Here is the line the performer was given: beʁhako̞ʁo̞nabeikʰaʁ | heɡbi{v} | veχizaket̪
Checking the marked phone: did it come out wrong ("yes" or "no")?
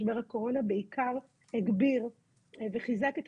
yes